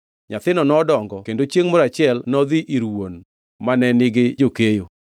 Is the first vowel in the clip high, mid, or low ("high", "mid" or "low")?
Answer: low